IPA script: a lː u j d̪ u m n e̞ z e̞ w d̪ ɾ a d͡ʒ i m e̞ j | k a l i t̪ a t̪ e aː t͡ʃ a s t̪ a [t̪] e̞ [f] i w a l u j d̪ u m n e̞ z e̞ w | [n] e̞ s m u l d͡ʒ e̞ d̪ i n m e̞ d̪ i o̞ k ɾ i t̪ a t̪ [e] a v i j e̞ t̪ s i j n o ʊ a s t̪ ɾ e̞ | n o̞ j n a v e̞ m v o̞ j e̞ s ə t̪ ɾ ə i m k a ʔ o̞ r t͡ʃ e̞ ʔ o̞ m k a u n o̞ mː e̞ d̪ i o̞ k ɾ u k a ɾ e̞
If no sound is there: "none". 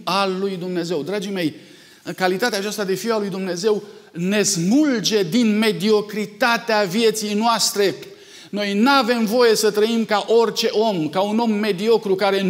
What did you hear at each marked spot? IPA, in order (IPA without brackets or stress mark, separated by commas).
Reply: d̪, f, n, e